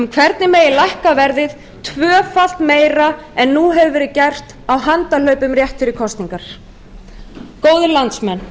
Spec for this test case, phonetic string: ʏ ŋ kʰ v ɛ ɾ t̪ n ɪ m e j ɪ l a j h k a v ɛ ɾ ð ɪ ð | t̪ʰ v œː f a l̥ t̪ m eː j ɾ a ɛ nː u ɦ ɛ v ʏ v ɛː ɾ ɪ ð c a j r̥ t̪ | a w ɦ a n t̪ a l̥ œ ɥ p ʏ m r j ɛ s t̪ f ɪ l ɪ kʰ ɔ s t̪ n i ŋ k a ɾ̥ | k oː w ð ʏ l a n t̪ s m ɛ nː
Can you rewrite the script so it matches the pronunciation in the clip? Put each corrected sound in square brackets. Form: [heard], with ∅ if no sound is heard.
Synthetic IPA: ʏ [m] kʰ v ɛ ɾ t̪ n ɪ m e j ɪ l a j h k a v ɛ ɾ ð ɪ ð | t̪ʰ v œː f a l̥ t̪ m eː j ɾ a ɛ nː u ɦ ɛ v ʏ v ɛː ɾ ɪ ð c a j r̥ t̪ | a w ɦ a n t̪ a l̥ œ ɥ p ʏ m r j ɛ [h] t̪ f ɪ [ɾ] ɪ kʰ ɔ s t̪ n i ŋ k a ɾ̥ | k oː w ð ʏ l a n t̪ s m ɛ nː